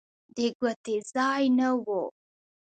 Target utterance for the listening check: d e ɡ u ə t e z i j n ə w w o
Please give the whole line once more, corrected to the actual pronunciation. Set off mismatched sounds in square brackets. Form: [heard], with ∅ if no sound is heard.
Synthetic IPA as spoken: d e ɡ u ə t e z [a] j n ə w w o